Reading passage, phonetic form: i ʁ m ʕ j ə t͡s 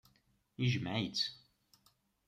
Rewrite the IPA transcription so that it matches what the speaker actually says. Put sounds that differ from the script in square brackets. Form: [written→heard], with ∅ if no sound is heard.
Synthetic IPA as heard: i [ʁ→ʒ] m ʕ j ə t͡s